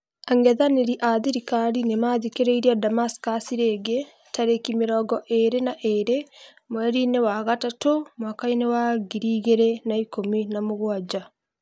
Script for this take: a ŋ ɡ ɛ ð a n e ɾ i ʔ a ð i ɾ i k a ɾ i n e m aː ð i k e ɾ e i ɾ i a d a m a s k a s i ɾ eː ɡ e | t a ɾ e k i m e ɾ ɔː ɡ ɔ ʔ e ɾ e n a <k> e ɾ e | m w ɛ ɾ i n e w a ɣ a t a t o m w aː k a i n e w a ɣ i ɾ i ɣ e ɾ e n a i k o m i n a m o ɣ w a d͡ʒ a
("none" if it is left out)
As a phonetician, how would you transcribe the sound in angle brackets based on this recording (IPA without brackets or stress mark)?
ʔ